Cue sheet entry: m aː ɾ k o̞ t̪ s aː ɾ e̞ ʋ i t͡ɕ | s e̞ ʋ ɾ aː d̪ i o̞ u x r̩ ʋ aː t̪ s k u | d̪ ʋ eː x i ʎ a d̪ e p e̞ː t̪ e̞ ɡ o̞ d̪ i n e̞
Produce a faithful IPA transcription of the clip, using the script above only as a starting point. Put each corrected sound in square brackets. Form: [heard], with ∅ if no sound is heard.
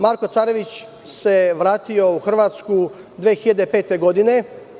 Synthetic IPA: m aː ɾ k o̞ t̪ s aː ɾ e̞ ʋ i t͡ɕ | s e̞ ʋ ɾ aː [t̪] i o̞ u x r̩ ʋ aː t̪ s k u | d̪ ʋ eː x i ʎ a d̪ e p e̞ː t̪ e̞ ɡ o̞ d̪ i n e̞